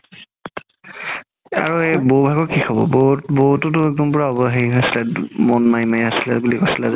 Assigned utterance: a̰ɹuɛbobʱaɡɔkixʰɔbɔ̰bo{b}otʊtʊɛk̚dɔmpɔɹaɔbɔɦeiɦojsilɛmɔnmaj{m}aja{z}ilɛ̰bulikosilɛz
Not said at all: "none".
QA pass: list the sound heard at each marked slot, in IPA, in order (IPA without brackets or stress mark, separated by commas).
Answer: b, m, s